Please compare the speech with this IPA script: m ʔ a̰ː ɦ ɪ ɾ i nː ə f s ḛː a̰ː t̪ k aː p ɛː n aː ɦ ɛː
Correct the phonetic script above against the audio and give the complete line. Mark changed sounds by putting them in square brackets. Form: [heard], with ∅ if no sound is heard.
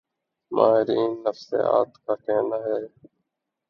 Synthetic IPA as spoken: m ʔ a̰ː ɦ ɪ ɾ [iː] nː ə f s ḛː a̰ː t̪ k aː [k] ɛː n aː ɦ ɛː